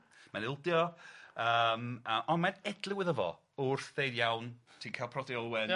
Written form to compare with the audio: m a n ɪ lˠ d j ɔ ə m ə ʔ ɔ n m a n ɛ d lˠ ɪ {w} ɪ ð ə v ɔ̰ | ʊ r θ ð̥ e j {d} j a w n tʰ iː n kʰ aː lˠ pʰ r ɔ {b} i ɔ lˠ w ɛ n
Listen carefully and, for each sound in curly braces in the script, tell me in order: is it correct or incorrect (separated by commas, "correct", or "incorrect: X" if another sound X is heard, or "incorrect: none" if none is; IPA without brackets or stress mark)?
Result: correct, correct, incorrect: d